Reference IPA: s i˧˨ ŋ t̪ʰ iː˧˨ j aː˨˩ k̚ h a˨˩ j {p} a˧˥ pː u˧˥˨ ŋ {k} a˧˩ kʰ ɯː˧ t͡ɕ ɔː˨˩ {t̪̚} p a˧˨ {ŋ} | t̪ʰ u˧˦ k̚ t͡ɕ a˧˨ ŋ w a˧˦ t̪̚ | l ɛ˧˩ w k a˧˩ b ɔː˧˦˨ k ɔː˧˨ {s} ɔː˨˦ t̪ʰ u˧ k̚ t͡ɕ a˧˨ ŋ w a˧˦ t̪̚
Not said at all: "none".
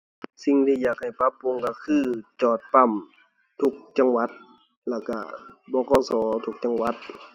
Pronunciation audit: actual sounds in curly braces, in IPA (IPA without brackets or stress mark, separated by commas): p, k, t̪̚, m, s